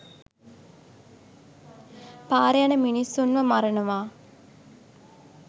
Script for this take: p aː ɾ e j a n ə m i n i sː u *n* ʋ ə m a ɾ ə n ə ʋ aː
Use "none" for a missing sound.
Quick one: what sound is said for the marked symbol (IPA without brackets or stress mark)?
n